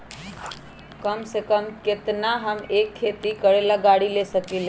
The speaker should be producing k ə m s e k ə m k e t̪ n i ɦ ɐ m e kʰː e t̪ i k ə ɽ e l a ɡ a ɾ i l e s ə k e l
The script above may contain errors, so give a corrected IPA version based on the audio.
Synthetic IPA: k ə m s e k ə m k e t̪ n a ɦ ə m e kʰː e t̪ i k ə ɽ e l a ɡ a ɽ i l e s ə k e l

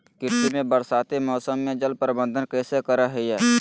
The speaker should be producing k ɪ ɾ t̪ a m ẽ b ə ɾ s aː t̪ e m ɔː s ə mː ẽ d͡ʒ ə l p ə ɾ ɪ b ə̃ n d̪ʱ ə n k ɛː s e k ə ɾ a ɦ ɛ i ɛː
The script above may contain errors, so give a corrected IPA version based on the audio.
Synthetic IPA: k ɪ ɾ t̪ i m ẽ b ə ɾ s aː t̪ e m ɔː s ə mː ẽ d͡ʒ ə l p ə ɾ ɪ b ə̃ n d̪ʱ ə n k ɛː s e k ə ɾ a ɦ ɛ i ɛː

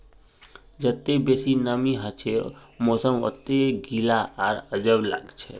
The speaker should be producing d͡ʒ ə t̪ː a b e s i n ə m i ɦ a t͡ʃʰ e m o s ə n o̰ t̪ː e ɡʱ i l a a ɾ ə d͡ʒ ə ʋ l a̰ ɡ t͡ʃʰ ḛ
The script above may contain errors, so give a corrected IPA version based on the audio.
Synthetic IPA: d͡ʒ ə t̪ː e b e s i n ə m i ɦ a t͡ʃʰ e m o s ə m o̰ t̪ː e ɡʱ i l a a ɾ ə d͡ʒ ə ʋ l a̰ ɡ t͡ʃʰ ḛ

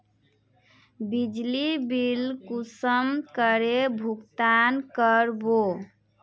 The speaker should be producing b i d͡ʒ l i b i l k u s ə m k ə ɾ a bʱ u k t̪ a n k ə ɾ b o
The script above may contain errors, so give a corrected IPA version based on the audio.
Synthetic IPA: b i d͡ʒ l i b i l k u s ə m k ə ɾ e bʱ u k t̪ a n k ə ɾ b o

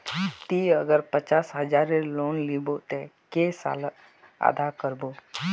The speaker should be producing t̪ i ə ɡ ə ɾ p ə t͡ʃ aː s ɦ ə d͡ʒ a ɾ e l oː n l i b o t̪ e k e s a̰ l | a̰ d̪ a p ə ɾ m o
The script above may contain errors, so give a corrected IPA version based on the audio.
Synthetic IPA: t̪ i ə ɡ ə ɾ p ə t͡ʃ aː s ɦ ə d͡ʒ a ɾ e l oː n l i b o t̪ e k e s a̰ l | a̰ d̪ a k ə ɾ b o

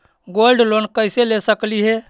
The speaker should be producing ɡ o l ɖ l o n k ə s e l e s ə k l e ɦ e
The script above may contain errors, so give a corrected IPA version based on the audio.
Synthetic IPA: ɡ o l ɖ l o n k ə s e l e s ə k l i ɦ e

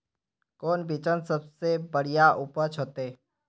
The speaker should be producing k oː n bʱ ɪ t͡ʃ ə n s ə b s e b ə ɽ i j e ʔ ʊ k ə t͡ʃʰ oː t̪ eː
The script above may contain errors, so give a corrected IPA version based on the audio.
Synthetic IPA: k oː n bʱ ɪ t͡ʃ ə n s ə b s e b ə ɽ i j a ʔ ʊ p ə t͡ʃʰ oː t̪ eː

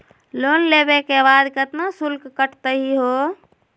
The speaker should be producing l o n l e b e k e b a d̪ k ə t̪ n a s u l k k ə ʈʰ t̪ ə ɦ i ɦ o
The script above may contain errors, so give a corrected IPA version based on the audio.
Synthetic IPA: l o n l e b e k e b a d̪ k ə t̪ n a s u l k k ə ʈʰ t̪ ə ɦ i ɦ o

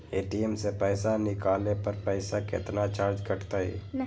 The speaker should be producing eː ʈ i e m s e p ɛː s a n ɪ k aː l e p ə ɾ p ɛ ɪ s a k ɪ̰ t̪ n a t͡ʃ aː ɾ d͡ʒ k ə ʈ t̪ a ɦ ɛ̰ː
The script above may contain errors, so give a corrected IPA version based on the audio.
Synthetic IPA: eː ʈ i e m s e p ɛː s a n ɪ k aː l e p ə ɾ p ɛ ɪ s a k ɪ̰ t̪ n a t͡ʃ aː ɾ d͡ʒ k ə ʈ t̪ a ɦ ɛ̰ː

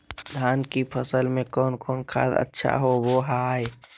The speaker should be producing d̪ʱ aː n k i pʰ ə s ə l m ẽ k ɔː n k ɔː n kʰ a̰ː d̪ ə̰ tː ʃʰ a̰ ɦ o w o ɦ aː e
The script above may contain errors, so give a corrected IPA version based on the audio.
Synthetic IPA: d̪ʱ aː n k i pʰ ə s ə l m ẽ k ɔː n k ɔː n kʰ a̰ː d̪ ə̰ tː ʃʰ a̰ ɦ o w o ɦ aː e

